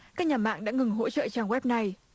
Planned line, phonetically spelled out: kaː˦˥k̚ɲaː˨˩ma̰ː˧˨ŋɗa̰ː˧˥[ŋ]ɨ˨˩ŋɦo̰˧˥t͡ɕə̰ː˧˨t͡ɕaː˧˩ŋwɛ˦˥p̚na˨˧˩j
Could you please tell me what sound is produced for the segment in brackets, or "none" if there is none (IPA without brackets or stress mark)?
ŋ